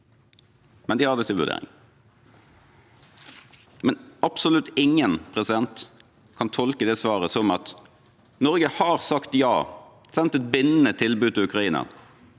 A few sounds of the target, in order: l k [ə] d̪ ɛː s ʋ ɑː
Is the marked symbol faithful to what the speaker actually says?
yes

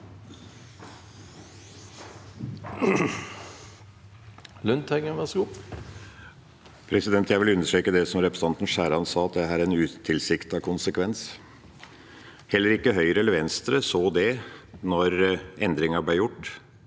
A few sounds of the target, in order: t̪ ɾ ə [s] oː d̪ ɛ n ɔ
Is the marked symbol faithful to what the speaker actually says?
yes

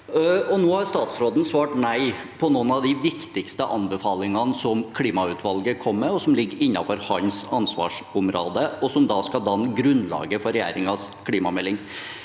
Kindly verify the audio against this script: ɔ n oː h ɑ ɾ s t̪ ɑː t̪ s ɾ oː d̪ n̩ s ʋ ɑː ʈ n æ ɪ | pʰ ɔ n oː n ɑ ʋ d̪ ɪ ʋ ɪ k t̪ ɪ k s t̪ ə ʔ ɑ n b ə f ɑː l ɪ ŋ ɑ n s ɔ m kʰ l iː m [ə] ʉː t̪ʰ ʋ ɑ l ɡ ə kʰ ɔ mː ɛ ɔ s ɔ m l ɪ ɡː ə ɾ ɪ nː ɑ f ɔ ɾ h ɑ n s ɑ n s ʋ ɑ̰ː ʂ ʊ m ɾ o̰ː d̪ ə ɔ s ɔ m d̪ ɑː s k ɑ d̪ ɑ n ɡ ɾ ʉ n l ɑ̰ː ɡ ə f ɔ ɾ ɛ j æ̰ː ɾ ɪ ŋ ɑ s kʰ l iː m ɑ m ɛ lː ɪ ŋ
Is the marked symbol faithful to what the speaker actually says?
no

